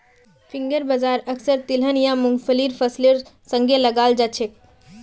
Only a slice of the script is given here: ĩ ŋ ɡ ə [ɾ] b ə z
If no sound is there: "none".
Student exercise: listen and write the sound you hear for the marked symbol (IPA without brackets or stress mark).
ɾ